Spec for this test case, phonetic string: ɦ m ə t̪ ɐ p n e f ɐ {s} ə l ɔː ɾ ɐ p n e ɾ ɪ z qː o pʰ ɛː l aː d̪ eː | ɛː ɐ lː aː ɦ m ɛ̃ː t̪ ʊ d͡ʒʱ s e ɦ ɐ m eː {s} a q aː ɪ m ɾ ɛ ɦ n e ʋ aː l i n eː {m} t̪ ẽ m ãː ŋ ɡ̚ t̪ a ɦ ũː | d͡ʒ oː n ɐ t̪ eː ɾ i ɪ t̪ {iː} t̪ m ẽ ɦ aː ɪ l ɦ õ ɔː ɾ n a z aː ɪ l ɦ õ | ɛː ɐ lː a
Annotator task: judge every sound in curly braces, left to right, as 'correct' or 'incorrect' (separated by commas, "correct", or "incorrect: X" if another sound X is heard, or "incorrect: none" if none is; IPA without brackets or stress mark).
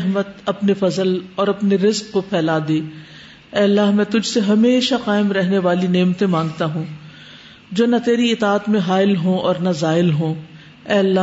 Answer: incorrect: z, incorrect: ʃ, correct, incorrect: aː